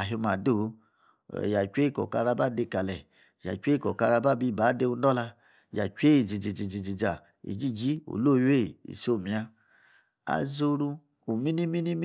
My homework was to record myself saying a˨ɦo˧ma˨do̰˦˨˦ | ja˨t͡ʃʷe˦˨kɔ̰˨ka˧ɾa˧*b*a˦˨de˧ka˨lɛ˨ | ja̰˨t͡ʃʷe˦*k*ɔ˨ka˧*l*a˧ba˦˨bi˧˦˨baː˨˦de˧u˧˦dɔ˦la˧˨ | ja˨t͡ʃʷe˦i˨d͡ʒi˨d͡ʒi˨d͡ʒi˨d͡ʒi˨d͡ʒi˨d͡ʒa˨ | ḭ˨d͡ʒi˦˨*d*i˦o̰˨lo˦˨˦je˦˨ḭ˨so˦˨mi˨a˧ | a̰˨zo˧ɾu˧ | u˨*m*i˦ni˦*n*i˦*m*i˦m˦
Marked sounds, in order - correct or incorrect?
correct, correct, incorrect: ɾ, incorrect: d͡ʒ, correct, incorrect: m, incorrect: n

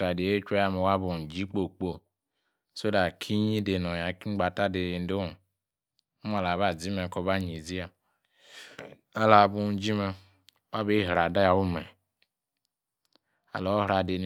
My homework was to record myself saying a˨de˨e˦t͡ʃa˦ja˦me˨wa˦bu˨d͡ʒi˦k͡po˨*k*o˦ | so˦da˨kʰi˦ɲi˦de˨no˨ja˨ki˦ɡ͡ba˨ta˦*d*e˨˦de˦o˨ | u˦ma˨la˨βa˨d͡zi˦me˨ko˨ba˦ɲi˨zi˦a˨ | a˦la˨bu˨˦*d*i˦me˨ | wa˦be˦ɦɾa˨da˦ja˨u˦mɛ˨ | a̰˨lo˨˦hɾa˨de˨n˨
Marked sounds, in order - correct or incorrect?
incorrect: k͡p, correct, incorrect: d͡ʒ

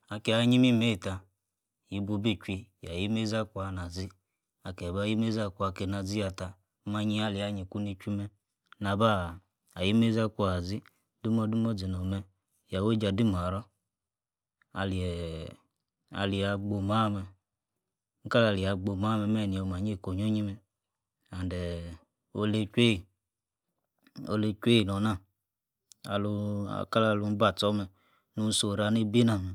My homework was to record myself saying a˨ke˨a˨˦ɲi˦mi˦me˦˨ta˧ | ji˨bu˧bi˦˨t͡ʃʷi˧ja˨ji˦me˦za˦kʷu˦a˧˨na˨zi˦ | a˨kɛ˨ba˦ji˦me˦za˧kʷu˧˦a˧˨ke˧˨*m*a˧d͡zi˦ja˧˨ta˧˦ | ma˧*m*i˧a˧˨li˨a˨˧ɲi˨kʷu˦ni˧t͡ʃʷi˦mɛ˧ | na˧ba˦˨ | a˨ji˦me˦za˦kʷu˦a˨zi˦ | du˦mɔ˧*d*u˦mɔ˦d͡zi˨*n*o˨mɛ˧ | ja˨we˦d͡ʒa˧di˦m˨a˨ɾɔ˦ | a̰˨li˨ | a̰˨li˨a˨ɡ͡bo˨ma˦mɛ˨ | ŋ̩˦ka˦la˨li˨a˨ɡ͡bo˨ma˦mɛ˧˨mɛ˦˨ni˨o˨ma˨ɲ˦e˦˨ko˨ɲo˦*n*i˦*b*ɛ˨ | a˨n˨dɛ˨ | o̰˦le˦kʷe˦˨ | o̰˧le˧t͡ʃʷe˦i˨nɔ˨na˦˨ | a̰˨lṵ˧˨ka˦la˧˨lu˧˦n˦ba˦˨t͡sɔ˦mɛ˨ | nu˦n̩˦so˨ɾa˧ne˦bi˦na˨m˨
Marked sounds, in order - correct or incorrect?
incorrect: n, incorrect: ɲ, correct, correct, incorrect: ɲ, incorrect: m

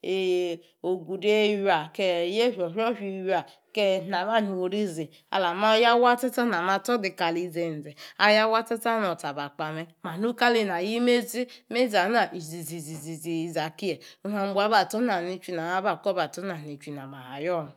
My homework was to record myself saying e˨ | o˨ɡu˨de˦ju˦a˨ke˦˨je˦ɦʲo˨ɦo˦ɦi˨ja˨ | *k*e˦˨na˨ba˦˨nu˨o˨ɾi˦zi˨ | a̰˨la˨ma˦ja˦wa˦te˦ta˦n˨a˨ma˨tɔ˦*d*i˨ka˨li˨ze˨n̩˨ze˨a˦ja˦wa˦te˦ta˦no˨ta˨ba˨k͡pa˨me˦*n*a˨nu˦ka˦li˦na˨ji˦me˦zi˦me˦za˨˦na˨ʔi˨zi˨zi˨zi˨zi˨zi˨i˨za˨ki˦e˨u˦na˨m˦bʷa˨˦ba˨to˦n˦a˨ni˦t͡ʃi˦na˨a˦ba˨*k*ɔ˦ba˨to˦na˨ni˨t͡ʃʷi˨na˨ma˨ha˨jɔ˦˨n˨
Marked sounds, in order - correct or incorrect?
correct, correct, incorrect: m, correct

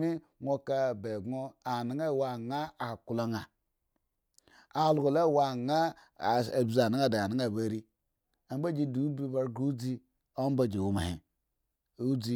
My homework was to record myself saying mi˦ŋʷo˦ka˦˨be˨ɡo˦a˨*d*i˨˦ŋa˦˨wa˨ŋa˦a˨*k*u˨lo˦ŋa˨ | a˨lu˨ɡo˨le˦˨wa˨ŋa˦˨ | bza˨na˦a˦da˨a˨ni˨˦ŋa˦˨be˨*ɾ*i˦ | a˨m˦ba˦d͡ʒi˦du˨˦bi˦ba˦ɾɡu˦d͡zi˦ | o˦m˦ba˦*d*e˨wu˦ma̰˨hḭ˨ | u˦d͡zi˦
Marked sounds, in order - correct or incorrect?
incorrect: n, correct, correct, incorrect: d͡ʒ

